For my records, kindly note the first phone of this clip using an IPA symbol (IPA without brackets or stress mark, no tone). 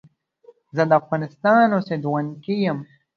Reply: z